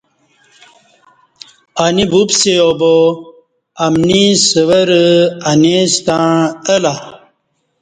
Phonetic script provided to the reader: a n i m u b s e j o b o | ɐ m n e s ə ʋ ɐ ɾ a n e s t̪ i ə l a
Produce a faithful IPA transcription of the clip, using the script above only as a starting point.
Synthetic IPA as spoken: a n i b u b s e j o b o | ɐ m n i s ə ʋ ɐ ɾ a n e s t̪ a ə l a